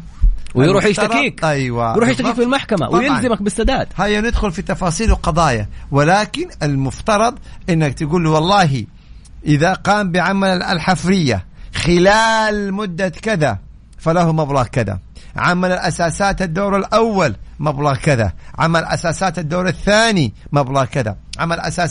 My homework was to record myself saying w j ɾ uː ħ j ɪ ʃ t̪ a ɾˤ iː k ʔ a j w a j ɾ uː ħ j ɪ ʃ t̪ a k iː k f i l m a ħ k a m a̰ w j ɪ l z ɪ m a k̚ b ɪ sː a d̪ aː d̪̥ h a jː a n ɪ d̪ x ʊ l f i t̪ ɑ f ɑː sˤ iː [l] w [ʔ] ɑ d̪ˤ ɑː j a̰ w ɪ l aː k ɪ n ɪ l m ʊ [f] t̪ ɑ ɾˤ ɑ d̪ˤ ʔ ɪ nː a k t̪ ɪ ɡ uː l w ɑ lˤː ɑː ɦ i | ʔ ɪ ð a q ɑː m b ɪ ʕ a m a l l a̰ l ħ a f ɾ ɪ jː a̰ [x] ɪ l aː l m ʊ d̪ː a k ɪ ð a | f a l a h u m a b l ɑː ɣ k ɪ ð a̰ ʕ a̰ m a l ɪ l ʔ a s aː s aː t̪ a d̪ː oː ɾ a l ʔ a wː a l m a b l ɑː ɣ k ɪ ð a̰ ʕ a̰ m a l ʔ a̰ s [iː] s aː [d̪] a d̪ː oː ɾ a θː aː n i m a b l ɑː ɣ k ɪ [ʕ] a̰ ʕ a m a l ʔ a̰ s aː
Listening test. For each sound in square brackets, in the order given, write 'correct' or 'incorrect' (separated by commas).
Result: correct, incorrect, correct, correct, incorrect, incorrect, incorrect